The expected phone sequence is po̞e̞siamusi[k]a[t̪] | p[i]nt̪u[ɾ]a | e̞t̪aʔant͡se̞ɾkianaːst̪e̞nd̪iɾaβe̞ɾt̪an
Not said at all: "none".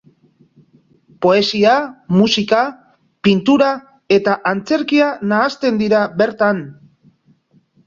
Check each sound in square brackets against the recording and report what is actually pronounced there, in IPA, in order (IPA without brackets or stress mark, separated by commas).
k, none, i, ɾ